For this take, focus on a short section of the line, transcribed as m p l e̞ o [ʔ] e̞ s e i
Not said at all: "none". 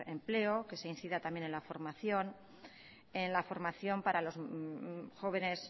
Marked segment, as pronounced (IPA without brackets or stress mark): k